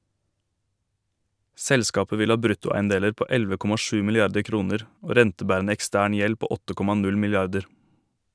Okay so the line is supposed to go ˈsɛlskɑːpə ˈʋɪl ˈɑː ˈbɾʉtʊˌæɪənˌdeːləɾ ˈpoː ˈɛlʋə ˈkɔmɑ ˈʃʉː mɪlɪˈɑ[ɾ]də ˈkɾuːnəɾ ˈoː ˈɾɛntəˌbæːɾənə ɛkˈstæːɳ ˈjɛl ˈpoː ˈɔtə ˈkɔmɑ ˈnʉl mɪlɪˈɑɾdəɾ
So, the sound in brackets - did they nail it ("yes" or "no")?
yes